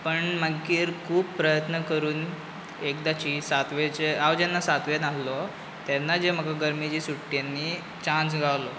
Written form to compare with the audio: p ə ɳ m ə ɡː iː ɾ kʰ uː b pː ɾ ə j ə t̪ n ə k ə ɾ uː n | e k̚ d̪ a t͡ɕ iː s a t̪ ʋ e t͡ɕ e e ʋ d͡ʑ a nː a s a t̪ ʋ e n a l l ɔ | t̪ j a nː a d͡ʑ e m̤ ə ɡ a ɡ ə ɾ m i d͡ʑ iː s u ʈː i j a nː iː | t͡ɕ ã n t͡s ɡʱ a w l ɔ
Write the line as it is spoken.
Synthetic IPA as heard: p ə ɳ m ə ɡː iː ɾ kʰ uː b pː ɾ ə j ə t̪ n ə k ə ɾ uː n | e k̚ d̪ a t͡ɕ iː s a t̪ ʋ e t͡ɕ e a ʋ d͡ʑ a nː a s a t̪ ʋ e n a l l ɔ | t̪ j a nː a d͡ʑ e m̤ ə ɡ a ɡ ə ɾ m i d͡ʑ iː s u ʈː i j a nː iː | t͡ɕ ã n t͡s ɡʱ a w l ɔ